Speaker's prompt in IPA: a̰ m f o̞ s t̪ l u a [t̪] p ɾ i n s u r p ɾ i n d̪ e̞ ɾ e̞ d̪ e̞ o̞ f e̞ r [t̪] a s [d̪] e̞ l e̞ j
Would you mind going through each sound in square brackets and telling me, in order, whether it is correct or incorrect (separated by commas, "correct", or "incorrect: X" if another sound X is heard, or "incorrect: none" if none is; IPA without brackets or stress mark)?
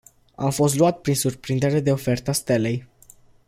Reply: correct, correct, incorrect: t̪